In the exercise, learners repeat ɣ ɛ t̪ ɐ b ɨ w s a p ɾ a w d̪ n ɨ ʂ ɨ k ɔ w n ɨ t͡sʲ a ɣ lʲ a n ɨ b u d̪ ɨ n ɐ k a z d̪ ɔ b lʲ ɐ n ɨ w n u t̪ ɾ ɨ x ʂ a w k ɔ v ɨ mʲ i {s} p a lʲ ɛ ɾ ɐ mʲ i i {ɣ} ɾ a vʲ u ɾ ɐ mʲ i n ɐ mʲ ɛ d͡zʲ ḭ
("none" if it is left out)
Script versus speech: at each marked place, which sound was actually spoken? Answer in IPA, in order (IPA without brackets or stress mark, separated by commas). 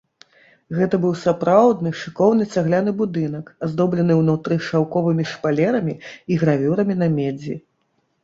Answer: ʂ, ɣ